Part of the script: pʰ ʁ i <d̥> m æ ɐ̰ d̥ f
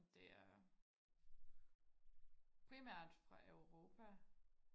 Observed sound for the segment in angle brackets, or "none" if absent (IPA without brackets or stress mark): none